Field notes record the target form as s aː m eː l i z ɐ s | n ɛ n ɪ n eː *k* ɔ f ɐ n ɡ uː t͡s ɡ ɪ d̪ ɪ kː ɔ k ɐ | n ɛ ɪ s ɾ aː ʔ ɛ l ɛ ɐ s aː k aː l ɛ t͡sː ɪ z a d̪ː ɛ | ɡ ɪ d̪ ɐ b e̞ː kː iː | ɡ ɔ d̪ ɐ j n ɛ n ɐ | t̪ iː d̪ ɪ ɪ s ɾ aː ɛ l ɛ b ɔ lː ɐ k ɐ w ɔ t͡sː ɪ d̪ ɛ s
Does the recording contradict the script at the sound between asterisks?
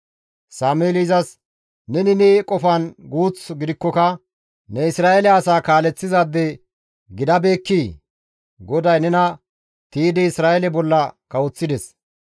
yes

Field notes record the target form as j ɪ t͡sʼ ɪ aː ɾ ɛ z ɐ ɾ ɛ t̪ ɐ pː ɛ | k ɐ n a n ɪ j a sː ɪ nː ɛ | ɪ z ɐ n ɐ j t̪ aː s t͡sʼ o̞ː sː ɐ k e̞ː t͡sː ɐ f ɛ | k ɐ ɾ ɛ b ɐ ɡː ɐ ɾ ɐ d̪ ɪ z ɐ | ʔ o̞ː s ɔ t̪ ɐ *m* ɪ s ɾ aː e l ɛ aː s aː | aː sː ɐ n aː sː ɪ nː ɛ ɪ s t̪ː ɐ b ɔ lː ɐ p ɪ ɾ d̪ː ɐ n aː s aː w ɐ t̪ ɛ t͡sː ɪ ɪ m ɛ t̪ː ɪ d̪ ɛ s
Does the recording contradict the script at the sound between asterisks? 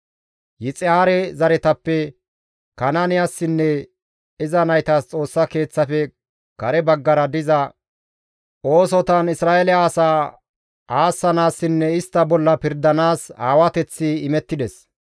yes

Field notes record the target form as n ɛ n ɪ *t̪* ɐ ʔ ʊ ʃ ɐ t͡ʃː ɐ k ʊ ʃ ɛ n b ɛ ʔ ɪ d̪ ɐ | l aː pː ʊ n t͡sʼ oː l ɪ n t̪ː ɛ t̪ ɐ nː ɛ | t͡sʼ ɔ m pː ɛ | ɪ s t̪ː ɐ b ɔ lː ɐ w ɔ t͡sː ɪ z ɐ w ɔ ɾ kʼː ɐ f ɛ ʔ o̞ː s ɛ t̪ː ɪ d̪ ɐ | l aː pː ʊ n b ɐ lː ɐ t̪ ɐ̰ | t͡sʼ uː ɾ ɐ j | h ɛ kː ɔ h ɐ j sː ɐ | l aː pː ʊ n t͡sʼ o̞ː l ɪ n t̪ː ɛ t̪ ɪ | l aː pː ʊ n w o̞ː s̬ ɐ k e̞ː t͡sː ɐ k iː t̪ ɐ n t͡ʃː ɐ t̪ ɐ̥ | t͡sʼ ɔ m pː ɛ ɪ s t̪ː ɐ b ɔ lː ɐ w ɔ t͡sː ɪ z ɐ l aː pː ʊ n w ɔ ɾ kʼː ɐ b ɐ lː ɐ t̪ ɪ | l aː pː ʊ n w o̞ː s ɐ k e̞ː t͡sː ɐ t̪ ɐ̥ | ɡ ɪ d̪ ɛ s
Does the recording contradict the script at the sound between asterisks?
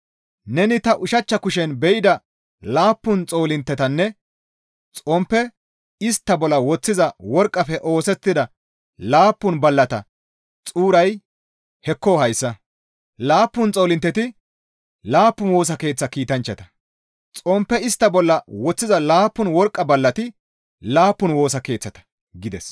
no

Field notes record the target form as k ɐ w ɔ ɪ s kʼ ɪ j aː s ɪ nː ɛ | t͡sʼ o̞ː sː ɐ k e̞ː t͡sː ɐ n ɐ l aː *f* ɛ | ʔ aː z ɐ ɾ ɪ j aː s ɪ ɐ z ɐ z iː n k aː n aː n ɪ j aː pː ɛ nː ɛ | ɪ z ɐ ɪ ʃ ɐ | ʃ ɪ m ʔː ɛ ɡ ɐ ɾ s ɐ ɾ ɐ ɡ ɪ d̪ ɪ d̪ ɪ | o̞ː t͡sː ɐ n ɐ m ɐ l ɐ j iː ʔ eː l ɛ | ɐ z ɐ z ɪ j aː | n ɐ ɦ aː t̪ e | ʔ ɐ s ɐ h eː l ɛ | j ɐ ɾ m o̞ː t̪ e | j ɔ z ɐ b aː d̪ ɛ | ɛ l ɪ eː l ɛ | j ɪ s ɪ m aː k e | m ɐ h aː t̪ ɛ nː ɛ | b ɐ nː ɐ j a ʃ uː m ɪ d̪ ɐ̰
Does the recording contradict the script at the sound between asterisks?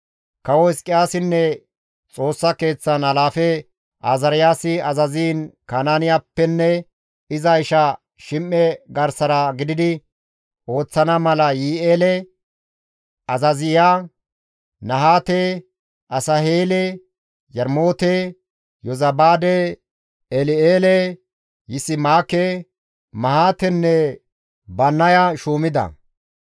no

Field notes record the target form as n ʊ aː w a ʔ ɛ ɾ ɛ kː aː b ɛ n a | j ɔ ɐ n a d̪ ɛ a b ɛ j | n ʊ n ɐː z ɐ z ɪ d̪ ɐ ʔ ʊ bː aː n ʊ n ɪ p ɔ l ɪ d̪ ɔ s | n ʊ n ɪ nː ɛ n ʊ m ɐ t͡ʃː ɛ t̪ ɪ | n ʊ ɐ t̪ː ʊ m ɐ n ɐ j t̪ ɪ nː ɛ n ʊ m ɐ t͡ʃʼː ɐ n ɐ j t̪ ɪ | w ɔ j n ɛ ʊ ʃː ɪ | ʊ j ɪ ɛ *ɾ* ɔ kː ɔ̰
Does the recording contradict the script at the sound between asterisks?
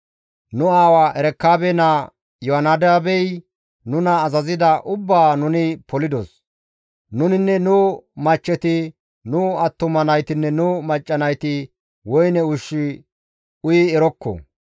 no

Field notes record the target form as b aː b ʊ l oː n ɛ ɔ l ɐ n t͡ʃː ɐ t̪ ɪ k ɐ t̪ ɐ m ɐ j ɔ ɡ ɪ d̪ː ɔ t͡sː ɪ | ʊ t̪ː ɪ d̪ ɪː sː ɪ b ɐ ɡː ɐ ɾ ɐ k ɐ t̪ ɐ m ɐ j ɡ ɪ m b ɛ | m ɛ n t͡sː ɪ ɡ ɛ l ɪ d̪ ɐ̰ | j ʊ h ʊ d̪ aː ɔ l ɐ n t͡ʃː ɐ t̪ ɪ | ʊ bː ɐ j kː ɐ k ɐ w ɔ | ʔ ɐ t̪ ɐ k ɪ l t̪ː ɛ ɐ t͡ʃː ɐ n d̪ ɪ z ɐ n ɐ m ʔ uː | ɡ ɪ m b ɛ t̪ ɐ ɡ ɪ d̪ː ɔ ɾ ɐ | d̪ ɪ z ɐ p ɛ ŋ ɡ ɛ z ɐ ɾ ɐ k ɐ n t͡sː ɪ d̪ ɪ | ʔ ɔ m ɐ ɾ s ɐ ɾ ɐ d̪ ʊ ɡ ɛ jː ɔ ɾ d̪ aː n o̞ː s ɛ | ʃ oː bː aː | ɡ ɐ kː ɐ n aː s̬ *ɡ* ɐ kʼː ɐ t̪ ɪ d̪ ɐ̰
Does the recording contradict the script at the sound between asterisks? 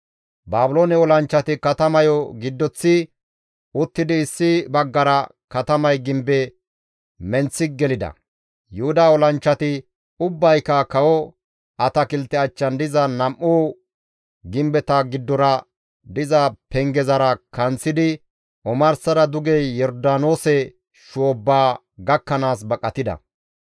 yes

